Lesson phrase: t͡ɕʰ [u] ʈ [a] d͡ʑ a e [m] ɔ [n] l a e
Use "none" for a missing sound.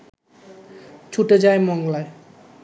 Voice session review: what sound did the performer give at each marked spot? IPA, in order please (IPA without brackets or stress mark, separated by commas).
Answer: u, e, m, ŋ